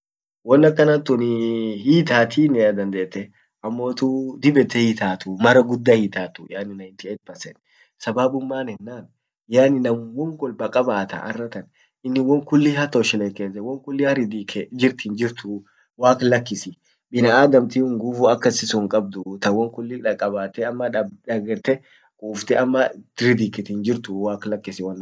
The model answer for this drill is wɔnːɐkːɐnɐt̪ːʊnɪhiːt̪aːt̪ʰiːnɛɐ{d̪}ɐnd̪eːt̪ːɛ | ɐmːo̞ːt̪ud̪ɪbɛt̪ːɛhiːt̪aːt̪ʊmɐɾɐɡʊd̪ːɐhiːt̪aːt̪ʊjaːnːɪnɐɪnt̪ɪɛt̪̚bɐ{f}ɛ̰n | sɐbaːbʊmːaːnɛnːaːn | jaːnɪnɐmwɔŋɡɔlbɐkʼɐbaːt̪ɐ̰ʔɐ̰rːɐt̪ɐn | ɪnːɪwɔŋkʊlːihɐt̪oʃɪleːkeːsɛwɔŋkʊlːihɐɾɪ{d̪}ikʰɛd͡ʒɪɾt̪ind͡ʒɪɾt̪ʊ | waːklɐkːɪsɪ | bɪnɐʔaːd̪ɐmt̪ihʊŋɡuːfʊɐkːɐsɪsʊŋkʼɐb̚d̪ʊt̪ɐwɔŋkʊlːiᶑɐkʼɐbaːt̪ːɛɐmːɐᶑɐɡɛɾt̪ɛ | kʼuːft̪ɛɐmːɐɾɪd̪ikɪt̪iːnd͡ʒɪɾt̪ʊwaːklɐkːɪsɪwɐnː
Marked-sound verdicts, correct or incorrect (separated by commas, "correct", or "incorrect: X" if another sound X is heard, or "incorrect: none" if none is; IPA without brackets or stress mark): correct, incorrect: s, correct